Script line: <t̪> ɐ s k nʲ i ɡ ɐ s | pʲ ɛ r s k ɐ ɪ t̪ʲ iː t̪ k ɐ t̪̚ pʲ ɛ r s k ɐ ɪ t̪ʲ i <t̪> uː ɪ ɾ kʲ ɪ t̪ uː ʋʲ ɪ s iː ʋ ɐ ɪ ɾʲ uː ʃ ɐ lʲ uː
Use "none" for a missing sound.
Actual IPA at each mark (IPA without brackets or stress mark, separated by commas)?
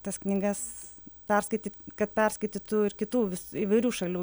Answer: t̪, t̪